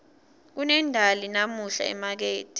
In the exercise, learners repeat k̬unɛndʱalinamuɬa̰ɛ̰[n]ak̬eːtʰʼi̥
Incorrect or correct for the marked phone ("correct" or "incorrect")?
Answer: incorrect